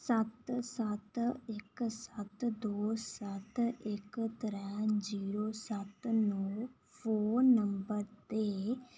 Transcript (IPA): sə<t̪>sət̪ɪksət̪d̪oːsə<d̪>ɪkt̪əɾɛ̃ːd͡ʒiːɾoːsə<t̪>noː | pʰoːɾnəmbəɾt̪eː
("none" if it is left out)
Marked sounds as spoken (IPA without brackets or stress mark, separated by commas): t̪, t̪, t̪